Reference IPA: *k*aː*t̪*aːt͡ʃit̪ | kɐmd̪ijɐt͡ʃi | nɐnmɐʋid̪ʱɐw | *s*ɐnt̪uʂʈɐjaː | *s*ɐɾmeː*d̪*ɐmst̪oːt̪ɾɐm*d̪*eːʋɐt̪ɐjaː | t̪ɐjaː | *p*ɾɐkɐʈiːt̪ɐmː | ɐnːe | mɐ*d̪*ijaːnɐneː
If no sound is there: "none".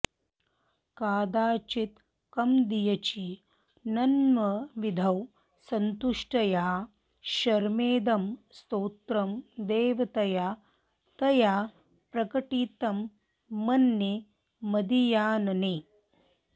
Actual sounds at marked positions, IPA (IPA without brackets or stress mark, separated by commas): k, d̪, s, ʃ, d̪, d̪, p, d̪